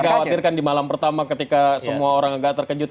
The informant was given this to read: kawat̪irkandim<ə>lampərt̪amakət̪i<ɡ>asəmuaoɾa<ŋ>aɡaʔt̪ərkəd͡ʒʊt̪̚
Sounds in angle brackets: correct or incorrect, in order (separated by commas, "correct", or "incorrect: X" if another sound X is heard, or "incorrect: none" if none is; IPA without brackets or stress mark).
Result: incorrect: a, incorrect: k, correct